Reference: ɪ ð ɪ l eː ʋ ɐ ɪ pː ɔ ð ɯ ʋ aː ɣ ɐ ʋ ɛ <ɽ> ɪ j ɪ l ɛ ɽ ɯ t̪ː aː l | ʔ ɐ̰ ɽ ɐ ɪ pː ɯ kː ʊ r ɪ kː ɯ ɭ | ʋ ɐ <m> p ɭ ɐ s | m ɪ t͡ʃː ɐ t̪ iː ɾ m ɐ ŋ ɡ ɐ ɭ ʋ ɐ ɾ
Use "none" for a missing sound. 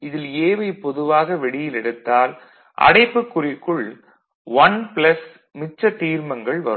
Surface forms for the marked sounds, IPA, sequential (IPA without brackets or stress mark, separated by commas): ɽ, n